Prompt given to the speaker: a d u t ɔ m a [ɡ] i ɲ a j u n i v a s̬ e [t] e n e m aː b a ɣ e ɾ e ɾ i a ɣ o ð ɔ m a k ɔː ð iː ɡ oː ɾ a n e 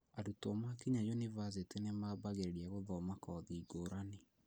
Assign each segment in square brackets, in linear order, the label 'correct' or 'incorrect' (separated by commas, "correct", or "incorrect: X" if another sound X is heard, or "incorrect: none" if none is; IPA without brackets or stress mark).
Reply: incorrect: k, correct